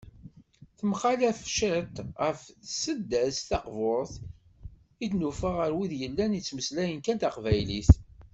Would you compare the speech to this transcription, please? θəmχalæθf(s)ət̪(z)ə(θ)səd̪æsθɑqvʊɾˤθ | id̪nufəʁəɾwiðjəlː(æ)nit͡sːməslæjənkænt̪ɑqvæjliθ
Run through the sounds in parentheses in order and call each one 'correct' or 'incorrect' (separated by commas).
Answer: incorrect, incorrect, incorrect, correct